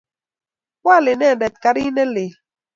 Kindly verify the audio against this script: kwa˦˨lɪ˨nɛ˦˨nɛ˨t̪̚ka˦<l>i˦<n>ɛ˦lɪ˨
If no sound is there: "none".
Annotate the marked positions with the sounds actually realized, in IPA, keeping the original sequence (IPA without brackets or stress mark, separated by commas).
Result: ɾ, n